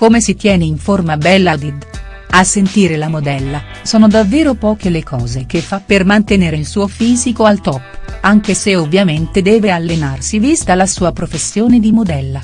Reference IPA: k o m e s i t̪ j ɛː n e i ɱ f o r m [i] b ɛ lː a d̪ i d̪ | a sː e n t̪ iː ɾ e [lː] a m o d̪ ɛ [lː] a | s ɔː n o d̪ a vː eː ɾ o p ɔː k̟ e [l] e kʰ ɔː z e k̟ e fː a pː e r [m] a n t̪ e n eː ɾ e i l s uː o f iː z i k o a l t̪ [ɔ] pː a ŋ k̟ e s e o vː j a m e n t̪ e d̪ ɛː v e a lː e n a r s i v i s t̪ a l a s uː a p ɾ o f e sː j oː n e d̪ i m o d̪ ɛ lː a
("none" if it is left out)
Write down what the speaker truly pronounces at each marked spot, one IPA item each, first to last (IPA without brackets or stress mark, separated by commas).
a, l, lː, l, m, ɔ